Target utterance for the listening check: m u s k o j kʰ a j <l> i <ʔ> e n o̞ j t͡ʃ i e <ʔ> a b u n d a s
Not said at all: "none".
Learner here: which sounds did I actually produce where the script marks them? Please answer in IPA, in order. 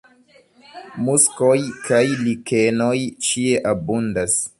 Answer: l, k, ʔ

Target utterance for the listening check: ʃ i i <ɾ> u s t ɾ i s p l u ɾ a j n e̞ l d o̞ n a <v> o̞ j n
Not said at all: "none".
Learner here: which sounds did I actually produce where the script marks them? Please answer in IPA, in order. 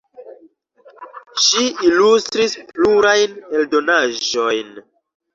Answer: l, ʒ

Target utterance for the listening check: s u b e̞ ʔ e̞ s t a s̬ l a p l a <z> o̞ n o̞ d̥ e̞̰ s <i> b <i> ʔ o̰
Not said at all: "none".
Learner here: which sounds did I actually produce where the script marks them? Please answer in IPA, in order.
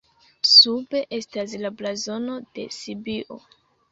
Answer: z, i, i

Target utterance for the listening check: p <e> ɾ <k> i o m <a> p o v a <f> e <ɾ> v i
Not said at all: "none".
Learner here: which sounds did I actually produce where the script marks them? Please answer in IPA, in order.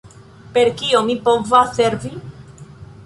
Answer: e, k, i, s, ɾ

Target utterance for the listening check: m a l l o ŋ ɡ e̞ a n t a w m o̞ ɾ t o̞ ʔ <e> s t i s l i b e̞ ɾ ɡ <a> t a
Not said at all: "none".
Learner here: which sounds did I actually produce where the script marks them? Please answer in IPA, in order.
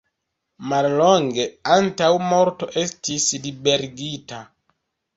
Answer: e, i

